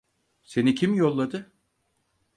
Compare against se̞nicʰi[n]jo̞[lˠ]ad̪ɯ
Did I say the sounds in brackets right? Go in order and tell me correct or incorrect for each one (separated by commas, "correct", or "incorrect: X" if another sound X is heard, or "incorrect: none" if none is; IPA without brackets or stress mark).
incorrect: m, incorrect: lˠː